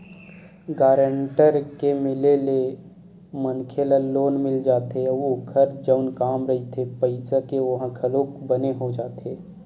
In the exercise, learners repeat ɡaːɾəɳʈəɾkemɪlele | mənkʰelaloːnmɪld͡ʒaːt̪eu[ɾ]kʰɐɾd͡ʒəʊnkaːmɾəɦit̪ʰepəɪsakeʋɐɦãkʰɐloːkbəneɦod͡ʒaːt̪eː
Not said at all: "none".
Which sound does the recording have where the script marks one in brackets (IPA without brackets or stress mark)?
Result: none